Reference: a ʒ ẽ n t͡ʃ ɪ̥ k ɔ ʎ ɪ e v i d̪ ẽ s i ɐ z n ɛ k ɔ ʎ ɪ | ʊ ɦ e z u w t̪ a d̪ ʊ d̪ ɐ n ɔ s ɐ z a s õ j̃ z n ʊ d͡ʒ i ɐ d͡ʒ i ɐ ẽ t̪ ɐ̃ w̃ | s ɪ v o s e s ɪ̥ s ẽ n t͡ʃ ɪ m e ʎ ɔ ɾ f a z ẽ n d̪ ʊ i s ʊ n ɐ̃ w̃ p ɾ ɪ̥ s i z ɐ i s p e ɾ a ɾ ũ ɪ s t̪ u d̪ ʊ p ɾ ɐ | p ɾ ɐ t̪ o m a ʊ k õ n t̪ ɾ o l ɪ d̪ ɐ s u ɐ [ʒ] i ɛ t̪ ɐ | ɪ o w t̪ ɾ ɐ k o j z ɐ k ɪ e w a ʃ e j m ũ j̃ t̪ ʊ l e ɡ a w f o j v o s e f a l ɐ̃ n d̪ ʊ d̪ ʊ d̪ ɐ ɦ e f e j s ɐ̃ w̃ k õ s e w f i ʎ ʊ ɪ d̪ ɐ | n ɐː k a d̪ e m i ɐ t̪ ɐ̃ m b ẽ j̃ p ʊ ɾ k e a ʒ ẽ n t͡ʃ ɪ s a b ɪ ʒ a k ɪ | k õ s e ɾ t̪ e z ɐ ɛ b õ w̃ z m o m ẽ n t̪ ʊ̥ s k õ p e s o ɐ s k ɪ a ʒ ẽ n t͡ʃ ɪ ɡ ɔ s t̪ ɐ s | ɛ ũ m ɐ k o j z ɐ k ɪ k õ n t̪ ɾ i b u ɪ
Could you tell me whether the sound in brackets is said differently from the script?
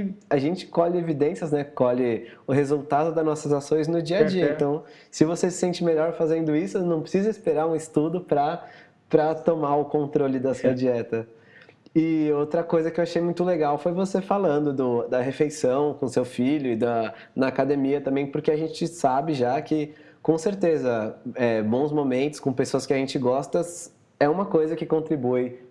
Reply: yes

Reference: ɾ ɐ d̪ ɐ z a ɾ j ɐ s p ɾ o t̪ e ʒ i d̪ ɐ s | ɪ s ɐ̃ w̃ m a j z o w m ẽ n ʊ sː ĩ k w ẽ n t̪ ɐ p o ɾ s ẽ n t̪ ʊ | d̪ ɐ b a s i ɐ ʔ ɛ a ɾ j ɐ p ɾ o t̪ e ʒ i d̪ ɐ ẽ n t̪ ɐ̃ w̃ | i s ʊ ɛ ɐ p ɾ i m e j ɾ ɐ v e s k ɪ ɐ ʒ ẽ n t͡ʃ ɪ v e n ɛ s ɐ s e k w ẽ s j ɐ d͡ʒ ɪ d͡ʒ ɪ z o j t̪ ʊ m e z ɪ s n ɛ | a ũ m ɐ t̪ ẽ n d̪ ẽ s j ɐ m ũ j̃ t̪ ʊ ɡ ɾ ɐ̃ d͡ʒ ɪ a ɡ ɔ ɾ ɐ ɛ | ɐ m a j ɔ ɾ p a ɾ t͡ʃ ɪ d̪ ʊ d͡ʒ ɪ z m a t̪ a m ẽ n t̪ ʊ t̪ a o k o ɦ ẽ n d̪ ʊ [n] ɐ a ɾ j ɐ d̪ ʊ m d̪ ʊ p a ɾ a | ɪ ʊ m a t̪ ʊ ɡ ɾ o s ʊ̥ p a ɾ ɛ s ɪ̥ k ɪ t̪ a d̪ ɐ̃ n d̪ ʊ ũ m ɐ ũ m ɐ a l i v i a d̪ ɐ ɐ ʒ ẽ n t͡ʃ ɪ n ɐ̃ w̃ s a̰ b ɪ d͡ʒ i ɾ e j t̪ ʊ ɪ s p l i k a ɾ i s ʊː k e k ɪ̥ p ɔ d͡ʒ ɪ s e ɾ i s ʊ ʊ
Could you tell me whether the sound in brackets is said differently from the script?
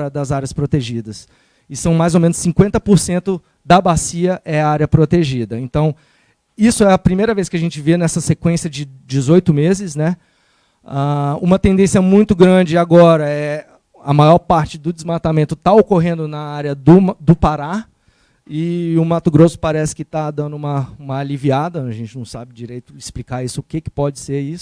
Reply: no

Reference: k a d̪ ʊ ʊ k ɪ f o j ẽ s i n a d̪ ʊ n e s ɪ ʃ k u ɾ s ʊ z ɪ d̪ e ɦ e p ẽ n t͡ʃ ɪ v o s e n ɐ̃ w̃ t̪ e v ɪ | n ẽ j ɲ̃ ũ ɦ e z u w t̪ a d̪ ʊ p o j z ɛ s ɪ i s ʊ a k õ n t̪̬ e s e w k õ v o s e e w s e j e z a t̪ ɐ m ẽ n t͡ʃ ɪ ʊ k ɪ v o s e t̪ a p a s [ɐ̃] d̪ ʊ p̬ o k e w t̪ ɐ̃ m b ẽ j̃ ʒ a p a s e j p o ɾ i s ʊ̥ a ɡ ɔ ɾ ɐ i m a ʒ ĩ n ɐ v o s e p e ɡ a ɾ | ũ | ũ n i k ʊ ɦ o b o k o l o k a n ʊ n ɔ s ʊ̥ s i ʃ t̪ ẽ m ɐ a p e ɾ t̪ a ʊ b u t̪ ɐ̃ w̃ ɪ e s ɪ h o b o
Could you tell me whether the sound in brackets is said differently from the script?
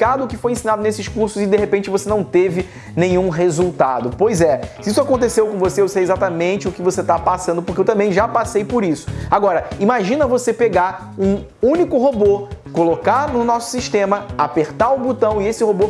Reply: no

